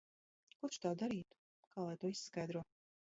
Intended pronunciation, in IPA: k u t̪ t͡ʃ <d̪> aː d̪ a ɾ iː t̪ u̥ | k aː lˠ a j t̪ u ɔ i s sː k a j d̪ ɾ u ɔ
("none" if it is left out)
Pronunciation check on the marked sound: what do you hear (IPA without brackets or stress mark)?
t̪